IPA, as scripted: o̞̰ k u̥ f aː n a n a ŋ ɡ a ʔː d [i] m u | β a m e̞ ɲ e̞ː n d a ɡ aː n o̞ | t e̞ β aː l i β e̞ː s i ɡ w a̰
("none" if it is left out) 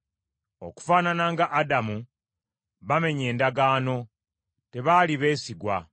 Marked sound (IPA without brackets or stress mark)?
a